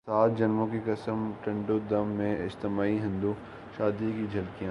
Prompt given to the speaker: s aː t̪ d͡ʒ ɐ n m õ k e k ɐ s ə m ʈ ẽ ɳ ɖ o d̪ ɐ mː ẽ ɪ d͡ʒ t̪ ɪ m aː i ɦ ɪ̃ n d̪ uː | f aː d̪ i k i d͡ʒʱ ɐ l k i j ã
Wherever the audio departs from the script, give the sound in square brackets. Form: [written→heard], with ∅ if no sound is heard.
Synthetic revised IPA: s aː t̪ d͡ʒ ɐ n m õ k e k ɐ s ə m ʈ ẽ ɳ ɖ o d̪ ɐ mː ẽ ɪ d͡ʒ t̪ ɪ m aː i ɦ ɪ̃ n d̪ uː | [f→ʃ] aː d̪ i k i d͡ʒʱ ɐ l k i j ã